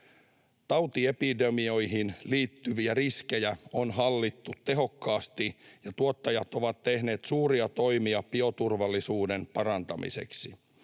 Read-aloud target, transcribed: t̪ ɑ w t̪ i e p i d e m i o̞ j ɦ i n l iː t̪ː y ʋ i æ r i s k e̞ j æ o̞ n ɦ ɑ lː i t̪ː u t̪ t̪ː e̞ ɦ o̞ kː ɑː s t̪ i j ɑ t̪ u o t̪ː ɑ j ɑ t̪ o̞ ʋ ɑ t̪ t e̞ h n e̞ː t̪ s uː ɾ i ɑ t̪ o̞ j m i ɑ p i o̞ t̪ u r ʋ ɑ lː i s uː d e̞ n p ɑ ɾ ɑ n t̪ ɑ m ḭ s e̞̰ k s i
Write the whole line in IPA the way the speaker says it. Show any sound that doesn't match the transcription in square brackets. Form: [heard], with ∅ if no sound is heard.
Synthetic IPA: t̪ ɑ w t̪ i e p i d e m i o̞ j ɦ i n l iː t̪ː y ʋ i æ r i s k e̞ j æ o̞ n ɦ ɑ lː i t̪ː u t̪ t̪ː e̞ ɦ o̞ kː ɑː s t̪ i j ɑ t̪ u o t̪ː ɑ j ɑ t̪ o̞ ʋ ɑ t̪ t e̞ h n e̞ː t̪ s uː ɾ i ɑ t̪ o̞ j m i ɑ p i o̞ t̪ u r ʋ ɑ lː i s uː d e̞ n p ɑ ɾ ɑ n t̪ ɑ m ḭ s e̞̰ k s i